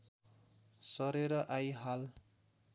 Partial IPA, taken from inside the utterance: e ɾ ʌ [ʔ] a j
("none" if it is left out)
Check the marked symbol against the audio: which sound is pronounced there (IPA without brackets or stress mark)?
ʔ